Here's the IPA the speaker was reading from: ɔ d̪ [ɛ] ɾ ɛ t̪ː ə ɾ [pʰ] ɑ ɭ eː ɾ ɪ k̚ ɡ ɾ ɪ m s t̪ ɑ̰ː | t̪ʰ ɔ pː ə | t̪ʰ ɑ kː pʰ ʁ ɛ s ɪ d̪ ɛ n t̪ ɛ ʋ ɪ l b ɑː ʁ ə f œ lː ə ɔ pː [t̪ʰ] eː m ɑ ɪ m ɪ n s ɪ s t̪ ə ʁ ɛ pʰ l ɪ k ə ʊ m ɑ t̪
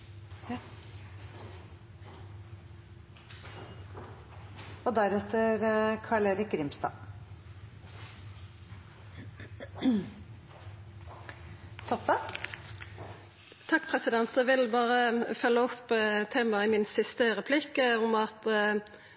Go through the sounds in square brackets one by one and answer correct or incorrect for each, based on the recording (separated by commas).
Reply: incorrect, incorrect, correct